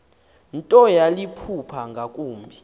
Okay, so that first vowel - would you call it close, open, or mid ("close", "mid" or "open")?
mid